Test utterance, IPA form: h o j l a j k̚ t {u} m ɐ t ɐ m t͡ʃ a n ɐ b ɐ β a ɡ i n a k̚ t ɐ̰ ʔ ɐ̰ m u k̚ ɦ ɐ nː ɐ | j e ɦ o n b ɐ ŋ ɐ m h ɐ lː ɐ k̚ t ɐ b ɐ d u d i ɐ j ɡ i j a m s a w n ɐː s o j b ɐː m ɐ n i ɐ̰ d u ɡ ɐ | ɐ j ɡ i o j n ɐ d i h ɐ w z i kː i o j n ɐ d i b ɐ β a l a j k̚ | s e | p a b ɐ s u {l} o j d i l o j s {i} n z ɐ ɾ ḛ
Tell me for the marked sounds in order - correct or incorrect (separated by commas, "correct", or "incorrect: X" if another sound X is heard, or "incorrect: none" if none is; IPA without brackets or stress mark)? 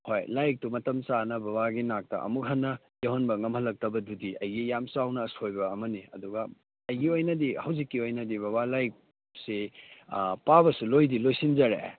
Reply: correct, correct, correct